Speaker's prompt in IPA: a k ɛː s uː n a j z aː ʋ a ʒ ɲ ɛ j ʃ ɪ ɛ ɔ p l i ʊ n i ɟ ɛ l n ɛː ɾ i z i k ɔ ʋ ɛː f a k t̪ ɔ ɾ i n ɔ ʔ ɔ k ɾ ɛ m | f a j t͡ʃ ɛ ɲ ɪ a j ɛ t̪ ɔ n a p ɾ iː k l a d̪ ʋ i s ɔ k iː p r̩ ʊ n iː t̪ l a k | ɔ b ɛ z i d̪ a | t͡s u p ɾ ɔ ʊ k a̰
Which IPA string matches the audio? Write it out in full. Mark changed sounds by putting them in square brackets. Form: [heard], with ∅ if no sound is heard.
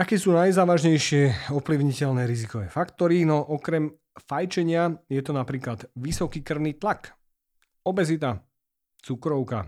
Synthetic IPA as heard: a k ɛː s uː n a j z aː ʋ a ʒ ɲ ɛ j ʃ ɪ ɛ ɔ p l i ʊ [ɲ] i [c] ɛ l n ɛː ɾ i z i k ɔ ʋ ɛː f a k t̪ ɔ ɾ i n ɔ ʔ ɔ k ɾ ɛ m | f a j t͡ʃ ɛ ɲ ɪ a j ɛ t̪ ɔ n a p ɾ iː k l a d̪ ʋ i s ɔ k iː [k] r̩ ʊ n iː t̪ l a k | ɔ b ɛ z i [t̪] a | t͡s u [k] ɾ ɔ ʊ k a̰